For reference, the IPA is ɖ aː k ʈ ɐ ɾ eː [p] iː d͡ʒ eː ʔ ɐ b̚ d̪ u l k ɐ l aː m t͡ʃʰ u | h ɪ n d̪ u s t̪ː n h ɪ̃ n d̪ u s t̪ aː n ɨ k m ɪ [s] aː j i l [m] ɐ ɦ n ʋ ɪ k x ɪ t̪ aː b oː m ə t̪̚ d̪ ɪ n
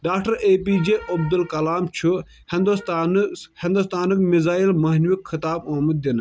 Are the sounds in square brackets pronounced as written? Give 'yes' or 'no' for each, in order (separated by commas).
yes, no, yes